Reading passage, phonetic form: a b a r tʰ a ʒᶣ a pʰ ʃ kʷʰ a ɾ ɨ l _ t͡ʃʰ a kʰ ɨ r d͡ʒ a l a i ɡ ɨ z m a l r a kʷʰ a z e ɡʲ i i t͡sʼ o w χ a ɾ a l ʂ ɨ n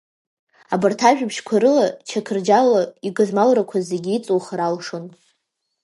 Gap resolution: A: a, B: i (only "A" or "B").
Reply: A